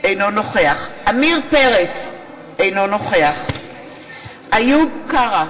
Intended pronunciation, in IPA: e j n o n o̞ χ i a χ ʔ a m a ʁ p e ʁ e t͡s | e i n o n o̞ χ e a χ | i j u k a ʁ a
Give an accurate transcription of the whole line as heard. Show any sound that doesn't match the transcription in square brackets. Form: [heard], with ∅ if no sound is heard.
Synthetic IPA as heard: e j n o n o̞ χ [e] a χ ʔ a m [i] ʁ p e ʁ e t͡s | e [j] n o n o̞ χ e a χ | [a] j u k a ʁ a